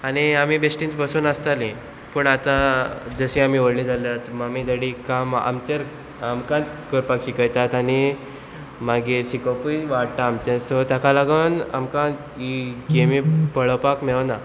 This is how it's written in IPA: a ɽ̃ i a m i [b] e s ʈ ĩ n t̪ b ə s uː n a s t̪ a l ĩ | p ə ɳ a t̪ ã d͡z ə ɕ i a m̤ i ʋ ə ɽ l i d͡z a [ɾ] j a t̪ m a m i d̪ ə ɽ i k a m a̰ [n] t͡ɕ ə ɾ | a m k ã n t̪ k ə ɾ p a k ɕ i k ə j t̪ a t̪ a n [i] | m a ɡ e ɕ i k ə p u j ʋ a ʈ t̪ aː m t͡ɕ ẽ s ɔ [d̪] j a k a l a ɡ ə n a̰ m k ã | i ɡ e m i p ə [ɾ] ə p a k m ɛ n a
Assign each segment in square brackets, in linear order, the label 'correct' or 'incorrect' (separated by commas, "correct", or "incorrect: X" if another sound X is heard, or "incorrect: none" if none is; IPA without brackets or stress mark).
correct, incorrect: l, incorrect: m, correct, incorrect: t̪, incorrect: ɭ